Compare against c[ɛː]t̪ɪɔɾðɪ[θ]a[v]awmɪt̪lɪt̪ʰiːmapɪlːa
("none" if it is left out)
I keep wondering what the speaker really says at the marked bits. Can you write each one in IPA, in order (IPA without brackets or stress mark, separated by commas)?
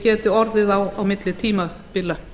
ɛː, ð, w